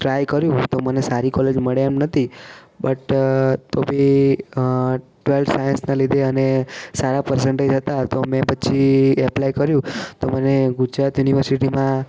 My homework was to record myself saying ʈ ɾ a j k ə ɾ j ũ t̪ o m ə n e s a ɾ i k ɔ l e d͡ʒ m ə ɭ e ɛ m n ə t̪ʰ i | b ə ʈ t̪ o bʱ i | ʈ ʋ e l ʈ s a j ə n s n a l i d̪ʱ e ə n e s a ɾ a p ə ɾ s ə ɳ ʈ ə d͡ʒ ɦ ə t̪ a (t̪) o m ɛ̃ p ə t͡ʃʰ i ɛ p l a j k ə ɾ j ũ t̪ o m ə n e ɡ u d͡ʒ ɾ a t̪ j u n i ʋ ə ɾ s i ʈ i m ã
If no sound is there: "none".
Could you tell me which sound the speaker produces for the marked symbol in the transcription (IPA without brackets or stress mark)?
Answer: t̪